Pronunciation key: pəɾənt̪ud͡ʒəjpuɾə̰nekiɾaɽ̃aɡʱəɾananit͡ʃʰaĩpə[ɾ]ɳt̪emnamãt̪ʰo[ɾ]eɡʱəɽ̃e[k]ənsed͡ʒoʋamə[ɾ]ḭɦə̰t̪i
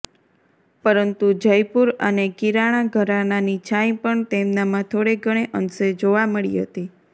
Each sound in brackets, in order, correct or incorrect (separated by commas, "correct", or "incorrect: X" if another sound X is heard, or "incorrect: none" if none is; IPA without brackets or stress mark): incorrect: none, incorrect: ɽ, incorrect: ʔ, incorrect: ɭ